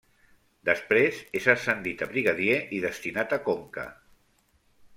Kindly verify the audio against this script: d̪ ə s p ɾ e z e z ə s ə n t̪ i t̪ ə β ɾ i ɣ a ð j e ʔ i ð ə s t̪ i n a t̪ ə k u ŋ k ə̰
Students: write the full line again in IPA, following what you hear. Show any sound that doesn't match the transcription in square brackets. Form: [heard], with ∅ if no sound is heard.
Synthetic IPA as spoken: d̪ ə s p ɾ e z e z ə s ə n [d̪] i t̪ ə β ɾ i ɣ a ð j e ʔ i ð ə s t̪ i n a t̪ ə k [o] ŋ k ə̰